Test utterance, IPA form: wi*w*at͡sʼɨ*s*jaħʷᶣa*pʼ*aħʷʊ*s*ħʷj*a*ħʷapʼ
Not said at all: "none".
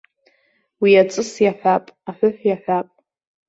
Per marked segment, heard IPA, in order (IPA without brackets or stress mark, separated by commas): none, s, pʼ, none, a